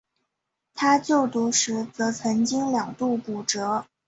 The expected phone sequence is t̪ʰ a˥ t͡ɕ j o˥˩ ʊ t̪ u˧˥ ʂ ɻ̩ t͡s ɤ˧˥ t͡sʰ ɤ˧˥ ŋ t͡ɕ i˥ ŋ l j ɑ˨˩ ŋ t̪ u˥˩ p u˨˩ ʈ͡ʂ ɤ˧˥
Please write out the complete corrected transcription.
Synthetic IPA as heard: t̪ʰ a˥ t͡ɕ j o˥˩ ʊ t̪ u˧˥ ʂ ɻ̩ t͡s ɤ˧˥ t͡sʰ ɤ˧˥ ŋ t͡ɕ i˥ ŋ l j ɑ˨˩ ŋ t̪ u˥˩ p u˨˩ ʈ͡ʂ ɤ˧˥